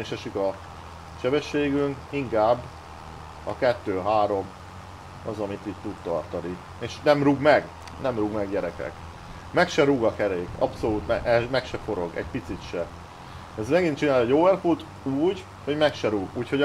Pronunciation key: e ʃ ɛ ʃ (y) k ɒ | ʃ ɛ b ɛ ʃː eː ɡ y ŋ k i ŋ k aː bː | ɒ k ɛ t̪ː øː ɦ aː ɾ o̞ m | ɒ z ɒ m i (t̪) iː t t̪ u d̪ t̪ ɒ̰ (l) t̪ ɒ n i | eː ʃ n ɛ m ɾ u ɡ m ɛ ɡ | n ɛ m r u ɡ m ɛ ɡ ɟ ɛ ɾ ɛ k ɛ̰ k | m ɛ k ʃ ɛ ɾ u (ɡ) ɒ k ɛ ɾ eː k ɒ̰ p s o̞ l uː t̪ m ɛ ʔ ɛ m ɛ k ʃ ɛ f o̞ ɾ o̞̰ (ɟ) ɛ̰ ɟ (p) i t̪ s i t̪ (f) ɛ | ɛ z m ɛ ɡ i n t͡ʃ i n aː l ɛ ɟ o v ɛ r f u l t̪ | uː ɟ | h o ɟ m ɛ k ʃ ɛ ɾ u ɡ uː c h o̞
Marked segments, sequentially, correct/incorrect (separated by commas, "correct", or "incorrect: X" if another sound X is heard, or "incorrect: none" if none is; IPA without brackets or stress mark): incorrect: i, correct, incorrect: r, correct, incorrect: ɡ, correct, incorrect: ʃ